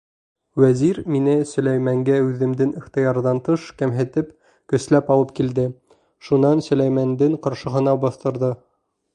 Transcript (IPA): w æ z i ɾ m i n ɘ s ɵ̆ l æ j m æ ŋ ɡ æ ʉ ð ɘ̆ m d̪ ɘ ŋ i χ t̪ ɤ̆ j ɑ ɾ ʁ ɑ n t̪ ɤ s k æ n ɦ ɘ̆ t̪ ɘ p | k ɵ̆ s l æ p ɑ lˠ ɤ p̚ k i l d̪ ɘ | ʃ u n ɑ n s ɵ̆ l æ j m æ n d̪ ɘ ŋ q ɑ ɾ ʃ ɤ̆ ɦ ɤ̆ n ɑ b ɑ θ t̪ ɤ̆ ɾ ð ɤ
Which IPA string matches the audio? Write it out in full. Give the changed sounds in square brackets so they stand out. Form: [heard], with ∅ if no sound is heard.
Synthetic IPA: w æ z i ɾ m i n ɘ s ɵ̆ l æ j m æ ŋ ɡ æ ʉ ð ɘ̆ m d̪ ɘ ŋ i χ t̪ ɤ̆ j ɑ ɾ [ð] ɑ n t̪ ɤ [ʃ] k æ [m] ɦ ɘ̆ t̪ ɘ p | k ɵ̆ s l æ p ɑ lˠ ɤ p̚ k i l d̪ ɘ | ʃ u n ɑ n s ɵ̆ l æ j m æ n d̪ ɘ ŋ q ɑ ɾ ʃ ɤ̆ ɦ ɤ̆ n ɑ b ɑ θ t̪ ɤ̆ ɾ ð ɤ